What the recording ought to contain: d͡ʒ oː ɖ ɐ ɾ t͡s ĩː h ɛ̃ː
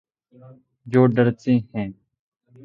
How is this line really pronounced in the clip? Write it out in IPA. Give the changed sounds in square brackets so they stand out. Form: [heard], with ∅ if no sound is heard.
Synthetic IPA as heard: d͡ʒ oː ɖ [ə] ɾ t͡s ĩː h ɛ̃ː